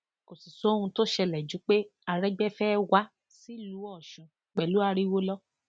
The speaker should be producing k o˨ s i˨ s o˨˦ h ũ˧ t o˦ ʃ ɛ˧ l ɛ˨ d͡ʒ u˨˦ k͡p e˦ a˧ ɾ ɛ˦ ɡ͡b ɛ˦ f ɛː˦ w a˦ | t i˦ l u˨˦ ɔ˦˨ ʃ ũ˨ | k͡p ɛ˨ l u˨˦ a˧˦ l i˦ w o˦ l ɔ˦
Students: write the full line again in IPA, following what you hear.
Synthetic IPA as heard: k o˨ s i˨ s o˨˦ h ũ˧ t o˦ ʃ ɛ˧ l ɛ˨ d͡ʒ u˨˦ k͡p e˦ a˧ ɾ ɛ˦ ɡ͡b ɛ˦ f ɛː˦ w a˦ | s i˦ l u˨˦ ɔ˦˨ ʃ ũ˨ | k͡p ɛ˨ l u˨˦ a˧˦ ɾ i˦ w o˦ l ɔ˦